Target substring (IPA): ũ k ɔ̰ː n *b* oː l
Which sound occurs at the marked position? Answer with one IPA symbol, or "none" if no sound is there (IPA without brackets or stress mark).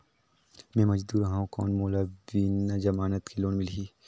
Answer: m